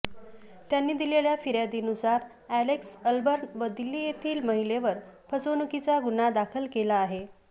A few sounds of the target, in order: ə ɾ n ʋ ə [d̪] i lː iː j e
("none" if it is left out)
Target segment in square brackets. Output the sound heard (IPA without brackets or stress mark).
d̪